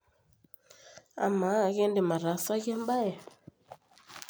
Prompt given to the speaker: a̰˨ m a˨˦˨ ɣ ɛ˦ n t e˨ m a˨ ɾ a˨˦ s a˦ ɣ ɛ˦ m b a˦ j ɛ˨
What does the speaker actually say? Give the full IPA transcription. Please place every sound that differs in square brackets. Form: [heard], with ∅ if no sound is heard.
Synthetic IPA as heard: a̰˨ m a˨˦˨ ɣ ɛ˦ n [d] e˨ m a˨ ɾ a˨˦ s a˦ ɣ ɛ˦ m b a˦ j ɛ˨

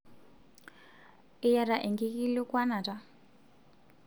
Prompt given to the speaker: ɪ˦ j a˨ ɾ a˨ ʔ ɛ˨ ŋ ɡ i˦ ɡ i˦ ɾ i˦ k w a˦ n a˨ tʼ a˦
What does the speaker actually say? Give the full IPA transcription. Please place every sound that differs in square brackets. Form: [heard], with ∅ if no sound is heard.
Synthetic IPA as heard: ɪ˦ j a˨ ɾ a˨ ʔ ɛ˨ ŋ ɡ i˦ [k] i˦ [l] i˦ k w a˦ n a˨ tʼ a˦

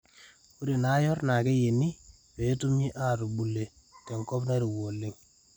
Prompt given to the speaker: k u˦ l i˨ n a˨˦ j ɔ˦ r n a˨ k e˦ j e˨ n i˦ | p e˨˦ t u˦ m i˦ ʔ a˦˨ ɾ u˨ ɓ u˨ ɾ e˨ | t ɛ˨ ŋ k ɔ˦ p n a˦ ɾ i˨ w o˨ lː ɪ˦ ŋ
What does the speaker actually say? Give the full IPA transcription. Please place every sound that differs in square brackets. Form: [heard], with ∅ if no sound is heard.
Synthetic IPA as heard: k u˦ [ɾ] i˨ n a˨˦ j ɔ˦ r n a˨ k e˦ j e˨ n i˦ | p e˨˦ t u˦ m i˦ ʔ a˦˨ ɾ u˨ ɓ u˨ [l] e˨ | t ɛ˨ ŋ k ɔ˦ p n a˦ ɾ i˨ w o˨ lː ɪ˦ ŋ

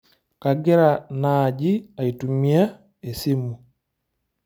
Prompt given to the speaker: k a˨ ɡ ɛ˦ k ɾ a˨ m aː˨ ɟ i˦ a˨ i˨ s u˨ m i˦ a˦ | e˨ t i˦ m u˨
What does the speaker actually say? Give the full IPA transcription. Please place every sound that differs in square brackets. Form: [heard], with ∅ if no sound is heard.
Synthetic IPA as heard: k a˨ ɡ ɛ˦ [∅] ɾ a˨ [n] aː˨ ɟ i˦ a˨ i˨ [t] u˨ m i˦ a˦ | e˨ [s] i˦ m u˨

